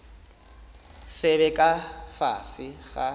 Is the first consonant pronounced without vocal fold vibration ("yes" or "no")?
yes